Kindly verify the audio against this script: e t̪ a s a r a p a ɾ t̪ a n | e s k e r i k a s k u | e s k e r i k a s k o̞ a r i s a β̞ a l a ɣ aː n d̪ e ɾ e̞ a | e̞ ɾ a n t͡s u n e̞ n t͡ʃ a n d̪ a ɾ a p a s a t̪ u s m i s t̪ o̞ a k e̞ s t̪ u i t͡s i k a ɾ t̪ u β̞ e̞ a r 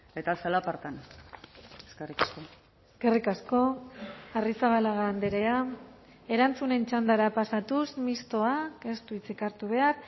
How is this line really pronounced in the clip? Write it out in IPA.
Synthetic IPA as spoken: e t̪ a s a l a p a ɾ t̪ a n | e s k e r i k a s k o | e s k e r i k a s k o̞ a r i s a β̞ a l a ɣ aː n d̪ e ɾ e̞ a | e̞ ɾ a n t͡s u n e̞ n t͡ʃ a n d̪ a ɾ a p a s a t̪ u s m i s t̪ o̞ a k e̞ s t̪ u i t͡s i k a ɾ t̪ u β̞ e̞ a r